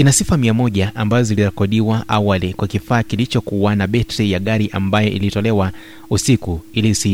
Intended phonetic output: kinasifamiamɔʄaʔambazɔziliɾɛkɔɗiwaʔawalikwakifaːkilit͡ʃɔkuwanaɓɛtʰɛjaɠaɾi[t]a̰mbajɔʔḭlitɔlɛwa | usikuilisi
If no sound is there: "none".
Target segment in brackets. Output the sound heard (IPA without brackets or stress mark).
ʔ